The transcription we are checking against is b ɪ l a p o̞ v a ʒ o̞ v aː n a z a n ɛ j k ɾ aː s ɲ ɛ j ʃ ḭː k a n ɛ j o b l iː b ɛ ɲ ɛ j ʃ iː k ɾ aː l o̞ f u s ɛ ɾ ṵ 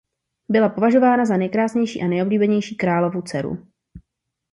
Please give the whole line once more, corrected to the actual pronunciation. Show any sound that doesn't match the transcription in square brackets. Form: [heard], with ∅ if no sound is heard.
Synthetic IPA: b ɪ l a p o̞ v a ʒ o̞ v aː n a z a n ɛ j k ɾ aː s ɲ ɛ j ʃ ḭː [ʔ] a n ɛ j o b l iː b ɛ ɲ ɛ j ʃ iː k ɾ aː l o̞ [v] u [t͡s] ɛ ɾ ṵ